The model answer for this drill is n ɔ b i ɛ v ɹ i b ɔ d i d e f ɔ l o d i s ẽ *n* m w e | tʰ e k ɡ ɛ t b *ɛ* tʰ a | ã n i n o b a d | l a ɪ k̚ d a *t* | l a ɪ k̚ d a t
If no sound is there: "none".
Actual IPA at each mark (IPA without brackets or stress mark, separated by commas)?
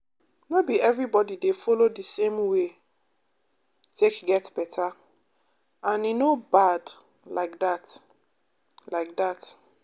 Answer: none, ɛ, t